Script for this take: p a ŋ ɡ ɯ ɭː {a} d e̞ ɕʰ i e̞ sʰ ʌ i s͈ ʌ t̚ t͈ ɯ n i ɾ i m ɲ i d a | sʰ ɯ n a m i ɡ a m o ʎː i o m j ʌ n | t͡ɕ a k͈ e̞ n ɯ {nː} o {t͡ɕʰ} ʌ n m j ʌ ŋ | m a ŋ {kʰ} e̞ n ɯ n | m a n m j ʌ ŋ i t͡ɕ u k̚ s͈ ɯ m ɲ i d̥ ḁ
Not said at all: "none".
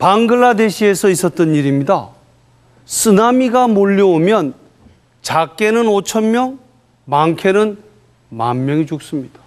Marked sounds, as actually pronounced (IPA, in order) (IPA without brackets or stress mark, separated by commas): a, n, t͡ɕʰ, kʰ